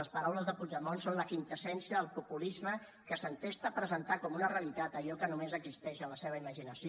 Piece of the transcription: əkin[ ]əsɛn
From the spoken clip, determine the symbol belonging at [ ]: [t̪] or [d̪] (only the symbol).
t̪